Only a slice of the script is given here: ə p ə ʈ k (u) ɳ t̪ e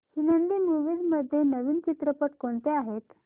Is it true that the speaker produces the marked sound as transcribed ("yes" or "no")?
no